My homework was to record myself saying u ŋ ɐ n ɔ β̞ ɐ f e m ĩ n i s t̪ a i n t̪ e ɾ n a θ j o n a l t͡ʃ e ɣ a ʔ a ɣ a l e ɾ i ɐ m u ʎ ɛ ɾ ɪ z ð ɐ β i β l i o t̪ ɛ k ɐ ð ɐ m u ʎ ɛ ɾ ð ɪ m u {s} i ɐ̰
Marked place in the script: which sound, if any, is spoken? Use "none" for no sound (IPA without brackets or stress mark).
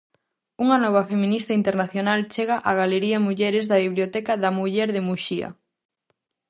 ʃ